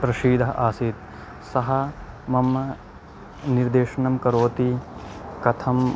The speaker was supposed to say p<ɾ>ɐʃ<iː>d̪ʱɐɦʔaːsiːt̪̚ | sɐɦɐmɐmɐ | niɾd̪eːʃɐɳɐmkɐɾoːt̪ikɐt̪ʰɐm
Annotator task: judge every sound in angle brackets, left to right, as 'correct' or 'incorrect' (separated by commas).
correct, correct